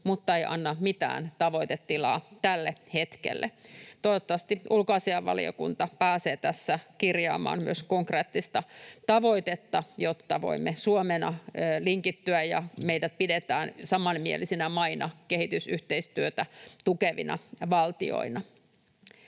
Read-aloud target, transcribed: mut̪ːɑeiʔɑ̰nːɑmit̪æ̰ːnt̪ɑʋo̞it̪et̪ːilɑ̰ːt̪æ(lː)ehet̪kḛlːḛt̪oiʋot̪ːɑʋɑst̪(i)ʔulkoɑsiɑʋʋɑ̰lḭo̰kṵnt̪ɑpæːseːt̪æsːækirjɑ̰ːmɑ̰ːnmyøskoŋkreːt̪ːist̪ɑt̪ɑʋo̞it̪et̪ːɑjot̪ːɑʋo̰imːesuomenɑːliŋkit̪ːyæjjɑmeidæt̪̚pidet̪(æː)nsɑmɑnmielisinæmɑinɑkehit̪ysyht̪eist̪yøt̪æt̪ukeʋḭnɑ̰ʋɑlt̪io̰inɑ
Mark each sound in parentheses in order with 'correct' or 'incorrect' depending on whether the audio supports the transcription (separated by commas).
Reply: correct, correct, correct